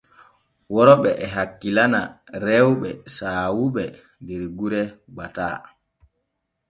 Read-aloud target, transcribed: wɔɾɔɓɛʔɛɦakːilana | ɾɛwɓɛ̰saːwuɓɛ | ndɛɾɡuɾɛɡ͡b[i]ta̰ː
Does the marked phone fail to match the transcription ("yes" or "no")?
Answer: yes